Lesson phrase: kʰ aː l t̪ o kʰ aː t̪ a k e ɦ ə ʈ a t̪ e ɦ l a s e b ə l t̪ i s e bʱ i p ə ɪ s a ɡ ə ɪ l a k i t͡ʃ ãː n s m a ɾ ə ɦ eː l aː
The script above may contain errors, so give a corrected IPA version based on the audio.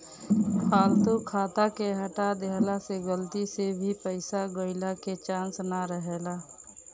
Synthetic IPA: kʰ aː l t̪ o kʰ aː t̪ a k e ɦ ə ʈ a d̪ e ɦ l a s e ɡ ə l t̪ i s e bʱ i p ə ɪ s a ɡ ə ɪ l a k e t͡ʃ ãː n s n a ɾ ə ɦ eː l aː